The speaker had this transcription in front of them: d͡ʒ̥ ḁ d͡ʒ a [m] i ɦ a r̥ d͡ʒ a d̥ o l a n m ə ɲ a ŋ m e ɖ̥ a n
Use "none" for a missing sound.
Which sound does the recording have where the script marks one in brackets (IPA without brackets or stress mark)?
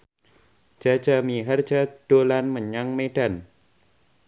m